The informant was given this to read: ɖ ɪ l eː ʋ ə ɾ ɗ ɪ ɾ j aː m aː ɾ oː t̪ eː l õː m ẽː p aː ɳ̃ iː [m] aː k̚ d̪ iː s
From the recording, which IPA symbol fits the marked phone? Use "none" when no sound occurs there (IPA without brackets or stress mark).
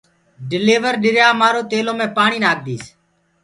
n